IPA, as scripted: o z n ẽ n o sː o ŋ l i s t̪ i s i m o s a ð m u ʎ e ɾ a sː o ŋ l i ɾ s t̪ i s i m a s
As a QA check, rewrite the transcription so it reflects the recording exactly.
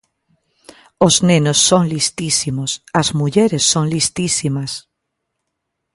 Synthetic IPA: o z n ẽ n o sː o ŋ l i s t̪ i s i m o s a z m u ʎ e ɾ e sː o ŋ l i s t̪ i s i m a s